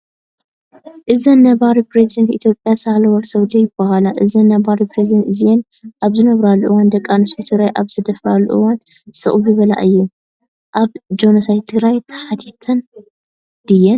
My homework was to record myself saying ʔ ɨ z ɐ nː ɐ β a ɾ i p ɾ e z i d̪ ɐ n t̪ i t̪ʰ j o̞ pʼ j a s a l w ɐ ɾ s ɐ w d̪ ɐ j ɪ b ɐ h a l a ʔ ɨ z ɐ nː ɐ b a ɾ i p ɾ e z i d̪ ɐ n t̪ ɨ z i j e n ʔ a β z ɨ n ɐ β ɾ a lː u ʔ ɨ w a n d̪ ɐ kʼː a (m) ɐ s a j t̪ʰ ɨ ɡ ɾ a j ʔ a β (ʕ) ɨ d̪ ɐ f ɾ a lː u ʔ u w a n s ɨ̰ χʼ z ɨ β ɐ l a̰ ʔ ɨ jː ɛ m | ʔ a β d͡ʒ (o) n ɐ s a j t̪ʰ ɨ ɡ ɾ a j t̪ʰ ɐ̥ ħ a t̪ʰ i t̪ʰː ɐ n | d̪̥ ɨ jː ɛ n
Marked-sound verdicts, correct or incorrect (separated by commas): incorrect, incorrect, correct